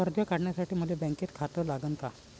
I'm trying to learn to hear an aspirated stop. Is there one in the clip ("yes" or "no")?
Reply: yes